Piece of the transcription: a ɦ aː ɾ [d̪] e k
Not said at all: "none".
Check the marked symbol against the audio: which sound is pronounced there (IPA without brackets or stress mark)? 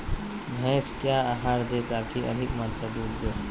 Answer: d̪